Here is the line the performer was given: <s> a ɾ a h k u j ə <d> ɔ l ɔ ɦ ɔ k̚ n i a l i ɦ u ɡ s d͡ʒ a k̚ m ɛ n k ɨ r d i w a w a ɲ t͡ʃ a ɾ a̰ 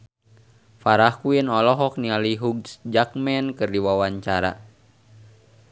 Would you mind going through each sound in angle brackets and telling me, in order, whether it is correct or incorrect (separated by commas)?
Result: incorrect, incorrect